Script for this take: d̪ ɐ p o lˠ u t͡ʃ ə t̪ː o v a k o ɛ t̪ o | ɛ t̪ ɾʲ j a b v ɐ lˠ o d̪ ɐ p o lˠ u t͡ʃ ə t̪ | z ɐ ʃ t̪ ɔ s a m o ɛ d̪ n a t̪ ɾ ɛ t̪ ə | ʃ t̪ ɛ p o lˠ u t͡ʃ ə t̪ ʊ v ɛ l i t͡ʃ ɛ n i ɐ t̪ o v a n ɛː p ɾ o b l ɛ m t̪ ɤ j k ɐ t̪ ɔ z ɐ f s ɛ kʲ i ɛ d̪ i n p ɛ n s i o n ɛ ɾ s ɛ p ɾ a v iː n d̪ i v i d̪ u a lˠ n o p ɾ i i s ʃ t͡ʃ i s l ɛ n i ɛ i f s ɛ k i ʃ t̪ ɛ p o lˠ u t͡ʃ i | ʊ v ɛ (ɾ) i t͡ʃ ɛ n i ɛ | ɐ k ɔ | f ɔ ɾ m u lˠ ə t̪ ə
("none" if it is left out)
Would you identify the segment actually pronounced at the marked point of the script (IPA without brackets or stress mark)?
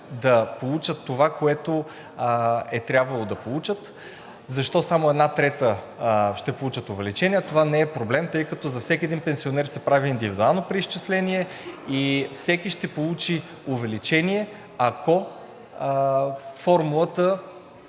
l